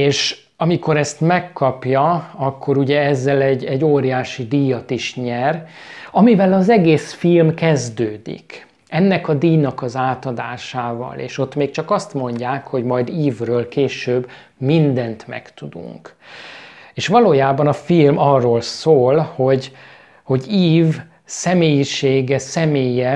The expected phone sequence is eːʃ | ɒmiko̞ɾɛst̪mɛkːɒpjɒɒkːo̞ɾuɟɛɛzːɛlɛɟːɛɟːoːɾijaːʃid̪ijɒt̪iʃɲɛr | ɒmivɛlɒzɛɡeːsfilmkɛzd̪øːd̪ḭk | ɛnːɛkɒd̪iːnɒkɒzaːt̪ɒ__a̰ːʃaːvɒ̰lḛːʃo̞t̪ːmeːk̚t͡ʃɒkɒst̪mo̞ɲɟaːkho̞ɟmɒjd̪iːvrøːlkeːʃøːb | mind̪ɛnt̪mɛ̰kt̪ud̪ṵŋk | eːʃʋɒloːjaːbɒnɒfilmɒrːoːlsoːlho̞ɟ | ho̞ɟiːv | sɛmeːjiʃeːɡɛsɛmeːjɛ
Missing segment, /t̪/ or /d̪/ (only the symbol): d̪